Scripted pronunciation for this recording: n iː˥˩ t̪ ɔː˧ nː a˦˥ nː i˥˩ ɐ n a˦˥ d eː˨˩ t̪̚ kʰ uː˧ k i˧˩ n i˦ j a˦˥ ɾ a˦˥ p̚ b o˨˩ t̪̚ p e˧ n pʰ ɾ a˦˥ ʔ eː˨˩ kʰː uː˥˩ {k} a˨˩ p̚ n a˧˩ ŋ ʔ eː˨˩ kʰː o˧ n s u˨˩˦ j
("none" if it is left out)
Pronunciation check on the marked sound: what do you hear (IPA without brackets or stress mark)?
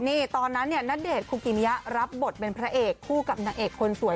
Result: k